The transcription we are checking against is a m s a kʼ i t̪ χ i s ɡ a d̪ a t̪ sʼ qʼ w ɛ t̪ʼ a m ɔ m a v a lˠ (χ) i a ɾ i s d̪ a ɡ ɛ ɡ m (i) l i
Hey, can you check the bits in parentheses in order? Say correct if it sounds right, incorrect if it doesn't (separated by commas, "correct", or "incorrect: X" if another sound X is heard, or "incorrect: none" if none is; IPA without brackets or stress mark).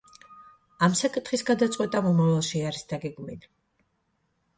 incorrect: ʃ, correct